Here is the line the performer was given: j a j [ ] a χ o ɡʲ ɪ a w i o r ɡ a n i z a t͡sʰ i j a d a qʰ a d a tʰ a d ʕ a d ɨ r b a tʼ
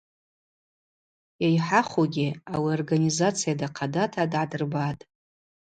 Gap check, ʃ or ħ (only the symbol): ħ